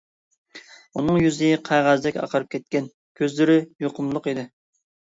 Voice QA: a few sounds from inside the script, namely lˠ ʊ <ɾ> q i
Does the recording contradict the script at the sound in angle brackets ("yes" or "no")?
yes